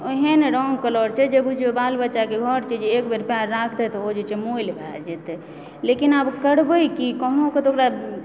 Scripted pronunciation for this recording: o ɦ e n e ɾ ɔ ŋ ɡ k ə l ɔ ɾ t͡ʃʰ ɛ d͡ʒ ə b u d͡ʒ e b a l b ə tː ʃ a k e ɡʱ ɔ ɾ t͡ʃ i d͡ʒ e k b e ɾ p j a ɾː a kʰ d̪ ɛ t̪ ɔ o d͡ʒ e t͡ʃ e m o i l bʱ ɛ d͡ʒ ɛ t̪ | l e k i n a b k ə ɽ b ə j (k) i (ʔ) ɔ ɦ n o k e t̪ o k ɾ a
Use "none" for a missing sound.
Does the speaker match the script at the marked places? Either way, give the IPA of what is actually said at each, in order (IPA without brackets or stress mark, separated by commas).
k, k